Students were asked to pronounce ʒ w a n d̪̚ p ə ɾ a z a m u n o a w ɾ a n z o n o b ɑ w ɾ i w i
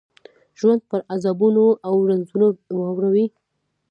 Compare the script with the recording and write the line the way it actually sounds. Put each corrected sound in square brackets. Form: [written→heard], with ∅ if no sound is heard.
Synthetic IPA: ʒ w a n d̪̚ p ə ɾ a z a [m→b] u n o a w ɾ a n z [o→u] n o [b→w] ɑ w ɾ [i→a] w i

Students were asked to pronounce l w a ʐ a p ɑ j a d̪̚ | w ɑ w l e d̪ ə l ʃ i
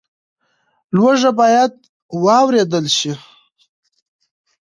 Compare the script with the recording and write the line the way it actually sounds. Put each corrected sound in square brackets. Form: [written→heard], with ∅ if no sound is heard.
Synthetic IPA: l w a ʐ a [p→b] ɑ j a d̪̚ | w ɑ w [l→ɾ] e d̪ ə l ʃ i

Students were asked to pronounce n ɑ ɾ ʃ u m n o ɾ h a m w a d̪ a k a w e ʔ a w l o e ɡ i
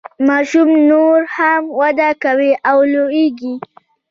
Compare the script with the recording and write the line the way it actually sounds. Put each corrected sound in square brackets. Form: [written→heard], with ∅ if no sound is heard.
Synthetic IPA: [n→m] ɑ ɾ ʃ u m n o ɾ h a m w a d̪ a k a w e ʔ a w l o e ɡ i

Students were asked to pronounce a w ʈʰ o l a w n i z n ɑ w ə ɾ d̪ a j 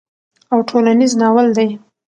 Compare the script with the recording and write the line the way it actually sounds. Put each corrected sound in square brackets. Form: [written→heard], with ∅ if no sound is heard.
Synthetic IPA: a w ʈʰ o l a [w→∅] n i z n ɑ w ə [ɾ→l] d̪ a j

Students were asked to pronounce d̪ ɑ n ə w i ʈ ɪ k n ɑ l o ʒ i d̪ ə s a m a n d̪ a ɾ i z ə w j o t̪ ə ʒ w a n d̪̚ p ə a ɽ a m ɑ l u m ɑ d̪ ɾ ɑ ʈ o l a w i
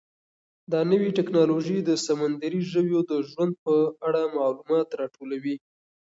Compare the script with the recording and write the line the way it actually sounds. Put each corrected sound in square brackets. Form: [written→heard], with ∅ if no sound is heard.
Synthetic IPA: d̪ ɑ n ə w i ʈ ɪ k n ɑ l o ʒ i d̪ ə s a m a n d̪ a ɾ i [z→ʒ] ə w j o [t̪→d̪] ə ʒ w a n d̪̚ p ə a ɽ a m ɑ l u m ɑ [d̪→t̪] ɾ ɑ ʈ o l a w i

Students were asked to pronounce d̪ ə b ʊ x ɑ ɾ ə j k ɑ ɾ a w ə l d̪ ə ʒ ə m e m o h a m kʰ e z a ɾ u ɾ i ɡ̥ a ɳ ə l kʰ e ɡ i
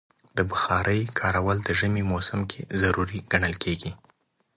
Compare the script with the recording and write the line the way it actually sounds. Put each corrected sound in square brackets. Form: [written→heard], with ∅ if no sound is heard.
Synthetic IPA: d̪ ə b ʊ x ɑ ɾ ə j [k→kʰ] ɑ ɾ a w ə l d̪ ə ʒ ə m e m o [h→s] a m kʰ e z a ɾ u ɾ i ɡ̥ a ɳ ə l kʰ e ɡ i

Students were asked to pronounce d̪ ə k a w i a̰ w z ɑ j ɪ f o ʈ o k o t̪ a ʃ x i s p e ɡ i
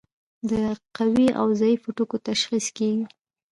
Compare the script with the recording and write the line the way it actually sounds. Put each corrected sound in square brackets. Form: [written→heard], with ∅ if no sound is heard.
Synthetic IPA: d̪ ə [k→q] a w i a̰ w z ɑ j [ɪ→i] f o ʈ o k o t̪ a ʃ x i s [p→k] e ɡ i

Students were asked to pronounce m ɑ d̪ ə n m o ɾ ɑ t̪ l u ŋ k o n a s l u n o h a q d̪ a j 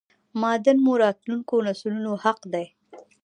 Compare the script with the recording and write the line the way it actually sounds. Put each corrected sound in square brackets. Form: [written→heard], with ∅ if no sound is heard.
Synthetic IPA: m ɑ d̪ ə n m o ɾ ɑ t̪ l u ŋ k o n a s l u n o h a q d̪ a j

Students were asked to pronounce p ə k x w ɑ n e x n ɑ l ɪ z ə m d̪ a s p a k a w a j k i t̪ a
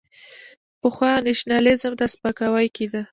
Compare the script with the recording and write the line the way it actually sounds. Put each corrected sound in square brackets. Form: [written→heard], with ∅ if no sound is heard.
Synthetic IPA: p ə [k→∅] x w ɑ n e [x→ʃ] n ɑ l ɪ z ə m d̪ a s p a k a w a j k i [t̪→d̪] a

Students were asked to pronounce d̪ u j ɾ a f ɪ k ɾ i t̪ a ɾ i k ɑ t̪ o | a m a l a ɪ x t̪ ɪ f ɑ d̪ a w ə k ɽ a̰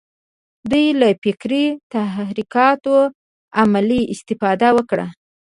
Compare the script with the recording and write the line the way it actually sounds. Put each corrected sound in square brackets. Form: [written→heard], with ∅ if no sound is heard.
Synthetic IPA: d̪ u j [ɾ→l] a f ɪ k ɾ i t̪ a ɾ i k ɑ t̪ o | a m a l [a→i] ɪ [x→s] t̪ ɪ f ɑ d̪ a w ə k ɽ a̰

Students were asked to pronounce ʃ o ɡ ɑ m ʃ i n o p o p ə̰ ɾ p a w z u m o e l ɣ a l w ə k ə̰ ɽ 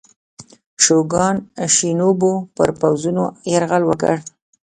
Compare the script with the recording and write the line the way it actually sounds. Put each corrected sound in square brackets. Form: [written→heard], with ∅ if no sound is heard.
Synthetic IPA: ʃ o ɡ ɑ [m→n] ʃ i n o [p→b] o p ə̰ ɾ p a w z u [m→n] o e [l→ɾ] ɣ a l w ə k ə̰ ɽ

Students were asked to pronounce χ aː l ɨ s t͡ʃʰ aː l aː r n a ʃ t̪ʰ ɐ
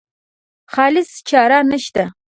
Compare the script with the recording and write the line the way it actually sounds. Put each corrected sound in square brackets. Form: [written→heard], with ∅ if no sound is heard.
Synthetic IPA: χ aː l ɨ s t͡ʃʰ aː [l→ɾ] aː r n [a→ɐ] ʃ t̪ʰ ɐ

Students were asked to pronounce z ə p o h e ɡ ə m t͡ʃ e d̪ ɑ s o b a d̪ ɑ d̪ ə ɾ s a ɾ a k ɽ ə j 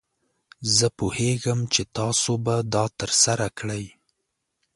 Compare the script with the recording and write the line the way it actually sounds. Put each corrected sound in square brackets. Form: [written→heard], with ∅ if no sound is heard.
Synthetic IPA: z ə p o h e ɡ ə m t͡ʃ e [d̪→t̪] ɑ s o b a d̪ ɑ [d̪→t̪] ə ɾ s a ɾ a k ɽ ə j

